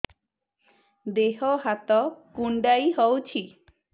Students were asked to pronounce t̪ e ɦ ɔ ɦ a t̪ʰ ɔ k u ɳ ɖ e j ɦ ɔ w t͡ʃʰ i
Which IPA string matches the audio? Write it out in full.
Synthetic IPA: d̪ e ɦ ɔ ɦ a t̪ ɔ k u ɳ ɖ a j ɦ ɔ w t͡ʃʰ i